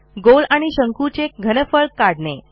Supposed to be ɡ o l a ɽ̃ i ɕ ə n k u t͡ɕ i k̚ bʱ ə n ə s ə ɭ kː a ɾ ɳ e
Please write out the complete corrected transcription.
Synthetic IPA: ɡ o l a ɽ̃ i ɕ ə ŋ k u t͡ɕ e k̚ ɡʱ ə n ə f ə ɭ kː a ɽ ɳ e

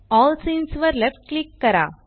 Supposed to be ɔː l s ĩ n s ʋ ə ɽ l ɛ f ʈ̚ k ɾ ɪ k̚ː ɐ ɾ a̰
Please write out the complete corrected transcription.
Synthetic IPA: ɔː l s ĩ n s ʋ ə ɾ l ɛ f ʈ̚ k l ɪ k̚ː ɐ ɾ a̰

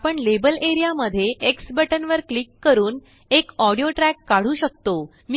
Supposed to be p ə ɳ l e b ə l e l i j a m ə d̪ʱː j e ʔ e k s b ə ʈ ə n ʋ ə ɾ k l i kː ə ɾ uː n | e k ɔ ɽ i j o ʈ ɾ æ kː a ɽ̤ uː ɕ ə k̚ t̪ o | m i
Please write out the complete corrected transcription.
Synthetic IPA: p ə ɳ l e b ə l e ɾ i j a m ə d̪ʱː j e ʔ e k s b ə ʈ ə n ʋ ə ɾ k l i kː ə ɾ uː n | e k ɔ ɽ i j o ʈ ɾ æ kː a ɽ̤ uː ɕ ə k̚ t̪ o | m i

